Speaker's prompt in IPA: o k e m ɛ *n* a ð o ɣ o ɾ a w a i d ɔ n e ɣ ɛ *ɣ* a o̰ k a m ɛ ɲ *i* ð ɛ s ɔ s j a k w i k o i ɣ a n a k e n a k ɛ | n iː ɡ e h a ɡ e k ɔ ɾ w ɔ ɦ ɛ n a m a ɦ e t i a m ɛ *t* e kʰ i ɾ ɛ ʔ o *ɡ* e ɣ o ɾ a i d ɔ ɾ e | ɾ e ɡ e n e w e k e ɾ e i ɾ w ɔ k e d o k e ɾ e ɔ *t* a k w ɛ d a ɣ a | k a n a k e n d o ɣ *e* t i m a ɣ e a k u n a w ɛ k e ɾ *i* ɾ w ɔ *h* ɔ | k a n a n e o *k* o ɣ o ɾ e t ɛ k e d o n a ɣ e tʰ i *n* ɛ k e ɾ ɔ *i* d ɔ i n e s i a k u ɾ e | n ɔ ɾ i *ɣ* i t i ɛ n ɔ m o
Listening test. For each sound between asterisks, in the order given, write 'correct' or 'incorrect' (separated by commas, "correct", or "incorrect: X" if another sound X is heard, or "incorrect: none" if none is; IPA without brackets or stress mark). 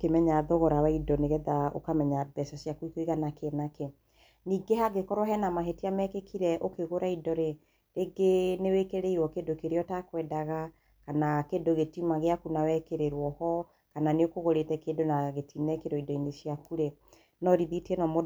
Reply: incorrect: ɲ, incorrect: ð, incorrect: a, incorrect: k, incorrect: k, correct, correct, incorrect: e, correct, correct, correct, correct, incorrect: ð